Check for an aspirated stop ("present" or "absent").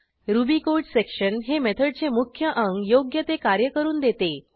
present